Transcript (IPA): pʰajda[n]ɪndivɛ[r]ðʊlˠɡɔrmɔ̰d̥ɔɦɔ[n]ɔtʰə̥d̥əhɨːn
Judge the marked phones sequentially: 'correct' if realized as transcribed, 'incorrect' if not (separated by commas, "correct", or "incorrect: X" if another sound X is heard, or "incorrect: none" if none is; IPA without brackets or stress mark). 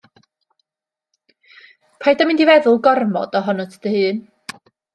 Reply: incorrect: m, incorrect: none, correct